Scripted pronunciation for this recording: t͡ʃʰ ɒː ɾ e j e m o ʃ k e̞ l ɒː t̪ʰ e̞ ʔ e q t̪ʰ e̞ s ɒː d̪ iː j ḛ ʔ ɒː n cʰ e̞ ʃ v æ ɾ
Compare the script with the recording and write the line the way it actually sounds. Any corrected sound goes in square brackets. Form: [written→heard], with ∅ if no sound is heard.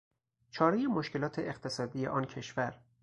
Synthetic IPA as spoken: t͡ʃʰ ɒː ɾ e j e m o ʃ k e̞ l ɒː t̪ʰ e̞ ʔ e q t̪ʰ e̞ s ɒː d̪ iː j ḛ ʔ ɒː n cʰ e̞ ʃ v æ ɾ